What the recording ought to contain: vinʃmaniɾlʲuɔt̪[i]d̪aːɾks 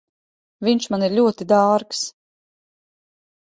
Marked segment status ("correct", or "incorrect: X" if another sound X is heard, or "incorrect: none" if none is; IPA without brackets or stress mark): correct